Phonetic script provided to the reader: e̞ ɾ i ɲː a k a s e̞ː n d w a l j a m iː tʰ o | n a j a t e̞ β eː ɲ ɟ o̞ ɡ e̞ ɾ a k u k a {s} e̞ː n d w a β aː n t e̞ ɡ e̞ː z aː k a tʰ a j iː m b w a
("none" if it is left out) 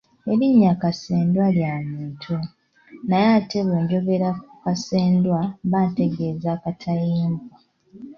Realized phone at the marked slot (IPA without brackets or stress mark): s